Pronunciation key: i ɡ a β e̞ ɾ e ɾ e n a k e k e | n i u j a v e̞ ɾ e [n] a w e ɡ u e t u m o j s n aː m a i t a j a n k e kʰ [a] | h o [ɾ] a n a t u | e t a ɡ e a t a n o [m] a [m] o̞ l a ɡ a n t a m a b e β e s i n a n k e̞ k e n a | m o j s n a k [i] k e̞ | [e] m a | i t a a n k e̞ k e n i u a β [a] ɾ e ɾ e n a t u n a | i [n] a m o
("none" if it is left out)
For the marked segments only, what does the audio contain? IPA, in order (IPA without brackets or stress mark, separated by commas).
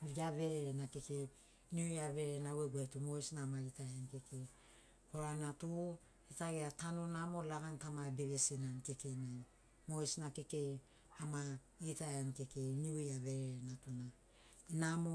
n, e, ɾ, n, m, e, a, e, n